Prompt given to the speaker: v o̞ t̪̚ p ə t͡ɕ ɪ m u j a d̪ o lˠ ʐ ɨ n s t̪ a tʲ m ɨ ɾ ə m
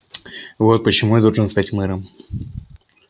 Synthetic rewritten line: v o̞ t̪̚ p ə t͡ɕ ɪ m u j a d̪ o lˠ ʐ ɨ n s t̪ a tʲ m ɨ ɾ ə m